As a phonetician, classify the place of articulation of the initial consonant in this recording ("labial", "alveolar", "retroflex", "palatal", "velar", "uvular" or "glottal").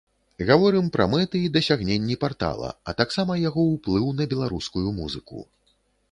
velar